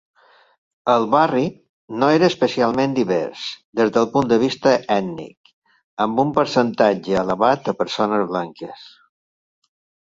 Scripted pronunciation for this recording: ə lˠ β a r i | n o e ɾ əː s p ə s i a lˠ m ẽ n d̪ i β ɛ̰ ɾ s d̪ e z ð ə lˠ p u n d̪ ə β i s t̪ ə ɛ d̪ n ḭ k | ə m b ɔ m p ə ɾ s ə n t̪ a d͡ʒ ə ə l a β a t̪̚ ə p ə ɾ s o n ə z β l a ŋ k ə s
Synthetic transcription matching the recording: ə lˠ β a r i | n o e ɾ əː s p ə s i a lˠ m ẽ n d̪ i β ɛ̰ ɾ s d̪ e z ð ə lˠ p u n d̪ ə β i s t̪ ə ɛ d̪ n ḭ k | ə m b u m p ə ɾ s ə n t̪ a d͡ʒ ə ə l ə β a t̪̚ ə p ə ɾ s o n ə z β l a ŋ k ə s